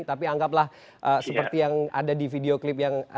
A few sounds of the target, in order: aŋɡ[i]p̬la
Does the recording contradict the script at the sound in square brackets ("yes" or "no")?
yes